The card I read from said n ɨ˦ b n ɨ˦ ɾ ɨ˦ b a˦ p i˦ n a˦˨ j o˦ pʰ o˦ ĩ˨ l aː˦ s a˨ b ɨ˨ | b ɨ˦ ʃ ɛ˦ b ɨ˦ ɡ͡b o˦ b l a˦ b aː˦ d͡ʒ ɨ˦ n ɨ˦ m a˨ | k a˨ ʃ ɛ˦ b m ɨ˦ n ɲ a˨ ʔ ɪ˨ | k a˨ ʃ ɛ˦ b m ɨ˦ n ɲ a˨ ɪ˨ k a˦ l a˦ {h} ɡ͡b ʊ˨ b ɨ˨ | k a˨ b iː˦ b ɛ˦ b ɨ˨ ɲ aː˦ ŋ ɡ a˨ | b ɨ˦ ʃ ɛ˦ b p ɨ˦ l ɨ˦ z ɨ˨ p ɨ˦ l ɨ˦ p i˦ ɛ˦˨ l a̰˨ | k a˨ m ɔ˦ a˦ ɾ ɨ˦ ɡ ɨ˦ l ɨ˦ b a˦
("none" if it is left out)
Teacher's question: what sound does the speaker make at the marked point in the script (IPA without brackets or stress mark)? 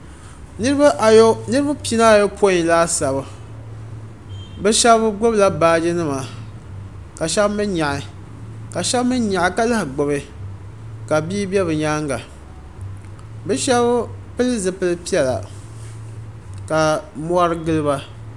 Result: h